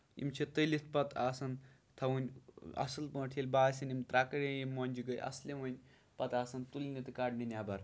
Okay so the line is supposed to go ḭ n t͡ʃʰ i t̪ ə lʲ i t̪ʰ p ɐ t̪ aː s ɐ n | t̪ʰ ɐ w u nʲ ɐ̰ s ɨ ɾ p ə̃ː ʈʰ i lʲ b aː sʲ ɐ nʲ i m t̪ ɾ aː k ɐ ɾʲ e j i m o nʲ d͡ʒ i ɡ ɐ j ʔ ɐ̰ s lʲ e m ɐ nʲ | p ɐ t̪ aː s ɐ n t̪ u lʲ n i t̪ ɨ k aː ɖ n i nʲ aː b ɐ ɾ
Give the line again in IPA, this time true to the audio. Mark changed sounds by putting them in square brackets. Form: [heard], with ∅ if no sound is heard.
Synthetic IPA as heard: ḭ [m] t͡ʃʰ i t̪ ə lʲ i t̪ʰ p ɐ t̪ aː s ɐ n | t̪ʰ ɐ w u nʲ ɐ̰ s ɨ [l] p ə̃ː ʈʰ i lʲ b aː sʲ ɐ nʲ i m t̪ ɾ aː k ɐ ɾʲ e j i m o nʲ d͡ʒ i ɡ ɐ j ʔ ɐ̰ s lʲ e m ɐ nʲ | p ɐ t̪ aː s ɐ n t̪ u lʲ n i t̪ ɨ k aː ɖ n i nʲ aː b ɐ ɾ